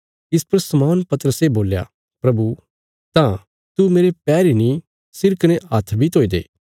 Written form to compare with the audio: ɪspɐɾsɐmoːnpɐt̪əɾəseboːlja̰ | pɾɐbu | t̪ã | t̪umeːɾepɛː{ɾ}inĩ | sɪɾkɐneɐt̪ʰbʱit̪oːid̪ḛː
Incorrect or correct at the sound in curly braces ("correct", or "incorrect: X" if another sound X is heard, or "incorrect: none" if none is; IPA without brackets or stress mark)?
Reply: correct